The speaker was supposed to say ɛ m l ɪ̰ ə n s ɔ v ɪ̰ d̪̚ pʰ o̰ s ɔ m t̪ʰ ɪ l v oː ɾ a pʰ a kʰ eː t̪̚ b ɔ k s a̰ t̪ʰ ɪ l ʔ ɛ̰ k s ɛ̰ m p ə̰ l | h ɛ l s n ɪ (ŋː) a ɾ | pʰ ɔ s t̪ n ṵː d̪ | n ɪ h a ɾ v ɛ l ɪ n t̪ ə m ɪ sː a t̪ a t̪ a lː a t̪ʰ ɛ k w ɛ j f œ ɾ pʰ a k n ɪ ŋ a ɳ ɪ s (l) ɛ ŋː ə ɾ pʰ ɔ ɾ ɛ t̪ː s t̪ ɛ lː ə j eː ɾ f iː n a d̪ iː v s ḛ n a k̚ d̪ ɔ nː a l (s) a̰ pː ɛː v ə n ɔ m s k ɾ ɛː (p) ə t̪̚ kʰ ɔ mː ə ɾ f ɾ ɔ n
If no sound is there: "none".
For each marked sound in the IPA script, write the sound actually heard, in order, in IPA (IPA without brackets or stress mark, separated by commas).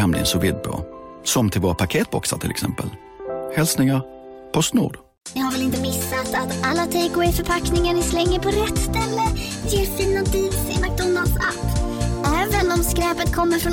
ŋ, l, s, p